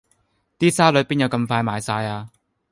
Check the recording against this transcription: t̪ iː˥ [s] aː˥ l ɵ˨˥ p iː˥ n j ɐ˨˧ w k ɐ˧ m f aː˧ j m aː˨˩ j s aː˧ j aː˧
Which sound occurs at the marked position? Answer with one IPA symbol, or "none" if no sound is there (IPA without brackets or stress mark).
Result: s